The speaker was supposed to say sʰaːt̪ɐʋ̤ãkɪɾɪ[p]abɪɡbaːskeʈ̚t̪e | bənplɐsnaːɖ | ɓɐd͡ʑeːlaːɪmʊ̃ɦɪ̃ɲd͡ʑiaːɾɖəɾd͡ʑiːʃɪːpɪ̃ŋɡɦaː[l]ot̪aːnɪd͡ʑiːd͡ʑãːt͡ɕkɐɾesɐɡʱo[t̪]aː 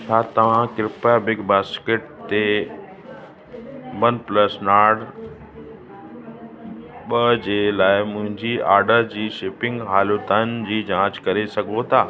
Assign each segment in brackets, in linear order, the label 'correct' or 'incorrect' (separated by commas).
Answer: correct, correct, incorrect